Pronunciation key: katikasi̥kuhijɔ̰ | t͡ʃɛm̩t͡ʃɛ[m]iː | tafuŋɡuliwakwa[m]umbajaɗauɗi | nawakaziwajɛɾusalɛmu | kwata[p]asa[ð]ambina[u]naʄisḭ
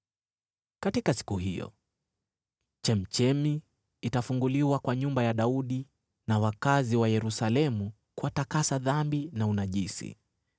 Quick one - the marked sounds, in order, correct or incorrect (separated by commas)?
correct, incorrect, incorrect, correct, correct